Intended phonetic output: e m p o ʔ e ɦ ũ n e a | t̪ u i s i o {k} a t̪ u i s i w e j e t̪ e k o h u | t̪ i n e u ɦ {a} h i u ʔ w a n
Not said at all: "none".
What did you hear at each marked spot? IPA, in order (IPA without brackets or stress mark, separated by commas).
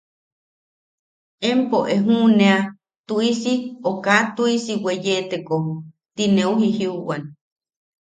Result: k, i